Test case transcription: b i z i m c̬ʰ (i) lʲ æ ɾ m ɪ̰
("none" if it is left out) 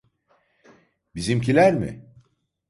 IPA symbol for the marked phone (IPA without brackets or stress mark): i